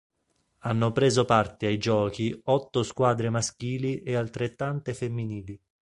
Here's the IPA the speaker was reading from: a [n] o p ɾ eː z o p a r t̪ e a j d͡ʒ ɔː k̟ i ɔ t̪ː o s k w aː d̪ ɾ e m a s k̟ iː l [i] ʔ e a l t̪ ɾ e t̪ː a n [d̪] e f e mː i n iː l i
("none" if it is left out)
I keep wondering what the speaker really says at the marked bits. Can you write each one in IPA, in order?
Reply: nː, i, t̪

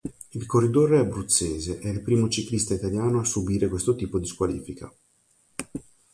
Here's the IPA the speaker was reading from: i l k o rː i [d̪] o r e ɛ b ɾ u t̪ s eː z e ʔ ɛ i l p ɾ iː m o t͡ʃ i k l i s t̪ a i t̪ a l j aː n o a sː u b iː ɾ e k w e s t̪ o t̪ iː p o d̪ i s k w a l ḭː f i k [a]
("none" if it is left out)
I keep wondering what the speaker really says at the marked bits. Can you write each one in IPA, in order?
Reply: d̪, a

